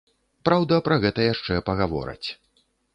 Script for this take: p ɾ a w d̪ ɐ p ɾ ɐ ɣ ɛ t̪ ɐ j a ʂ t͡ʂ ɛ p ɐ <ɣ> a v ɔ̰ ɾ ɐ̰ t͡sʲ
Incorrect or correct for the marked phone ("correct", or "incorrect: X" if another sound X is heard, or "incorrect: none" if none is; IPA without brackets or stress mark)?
correct